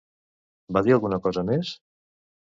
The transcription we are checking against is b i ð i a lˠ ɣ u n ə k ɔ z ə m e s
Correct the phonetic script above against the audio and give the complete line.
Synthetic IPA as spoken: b a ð i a lˠ ɣ u n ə k ɔ z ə m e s